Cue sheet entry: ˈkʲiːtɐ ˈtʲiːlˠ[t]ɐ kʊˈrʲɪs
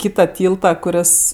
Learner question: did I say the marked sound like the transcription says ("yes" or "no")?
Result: yes